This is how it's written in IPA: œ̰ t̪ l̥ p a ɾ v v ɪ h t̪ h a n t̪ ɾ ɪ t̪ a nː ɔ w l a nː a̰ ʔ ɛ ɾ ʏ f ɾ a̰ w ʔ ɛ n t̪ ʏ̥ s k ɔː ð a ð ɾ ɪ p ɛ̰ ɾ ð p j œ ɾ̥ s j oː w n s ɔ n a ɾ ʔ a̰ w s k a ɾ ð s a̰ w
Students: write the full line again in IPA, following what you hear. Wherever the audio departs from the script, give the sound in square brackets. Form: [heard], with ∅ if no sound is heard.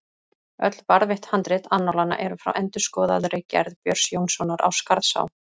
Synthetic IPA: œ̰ t̪ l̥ p a ɾ [ð] v ɪ h t̪ h a n t̪ ɾ ɪ t̪ a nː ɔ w l a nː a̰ ʔ ɛ ɾ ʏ f ɾ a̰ w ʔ ɛ n t̪ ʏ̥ s k ɔː ð a ð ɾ ɪ [c] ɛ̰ ɾ ð p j œ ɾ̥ s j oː w n s ɔ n a ɾ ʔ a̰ w s k a ɾ ð s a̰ w